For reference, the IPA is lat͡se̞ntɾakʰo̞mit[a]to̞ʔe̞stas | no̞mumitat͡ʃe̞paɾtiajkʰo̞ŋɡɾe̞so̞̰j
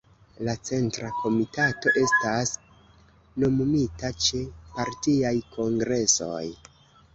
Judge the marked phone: correct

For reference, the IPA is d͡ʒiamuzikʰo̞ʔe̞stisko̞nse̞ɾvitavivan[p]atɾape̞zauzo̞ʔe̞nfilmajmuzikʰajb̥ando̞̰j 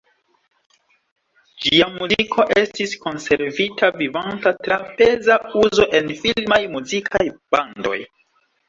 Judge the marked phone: incorrect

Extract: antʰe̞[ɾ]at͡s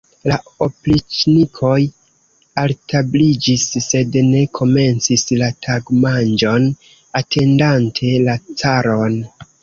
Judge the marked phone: incorrect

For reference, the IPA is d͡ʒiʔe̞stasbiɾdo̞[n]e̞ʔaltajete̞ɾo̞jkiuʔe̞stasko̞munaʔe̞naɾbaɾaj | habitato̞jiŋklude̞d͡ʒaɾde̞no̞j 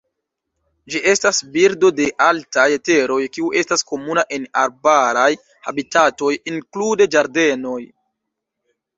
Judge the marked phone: incorrect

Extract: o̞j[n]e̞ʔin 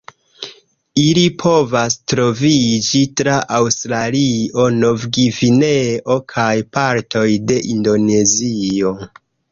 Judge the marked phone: incorrect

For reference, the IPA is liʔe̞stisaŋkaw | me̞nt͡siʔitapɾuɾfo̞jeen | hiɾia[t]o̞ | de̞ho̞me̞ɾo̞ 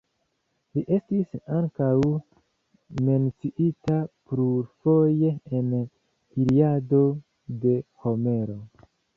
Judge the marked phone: incorrect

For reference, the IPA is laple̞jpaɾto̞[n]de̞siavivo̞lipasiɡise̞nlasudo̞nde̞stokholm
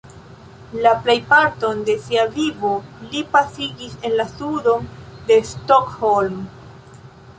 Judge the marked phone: correct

